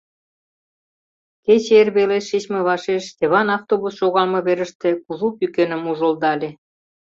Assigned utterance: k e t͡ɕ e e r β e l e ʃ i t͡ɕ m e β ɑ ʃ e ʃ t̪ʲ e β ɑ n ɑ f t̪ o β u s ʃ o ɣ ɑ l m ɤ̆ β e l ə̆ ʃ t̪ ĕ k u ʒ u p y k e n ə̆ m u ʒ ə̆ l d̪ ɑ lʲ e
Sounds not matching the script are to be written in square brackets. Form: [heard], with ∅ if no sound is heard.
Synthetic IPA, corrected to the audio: k e t͡ɕ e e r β e l e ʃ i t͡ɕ m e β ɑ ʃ e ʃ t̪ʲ e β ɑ n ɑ f t̪ o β u s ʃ o ɣ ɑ l m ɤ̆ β e [ɾ] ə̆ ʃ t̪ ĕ k u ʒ u p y k e n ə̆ m u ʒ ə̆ l d̪ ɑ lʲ e